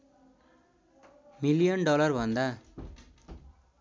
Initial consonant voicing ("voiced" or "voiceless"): voiced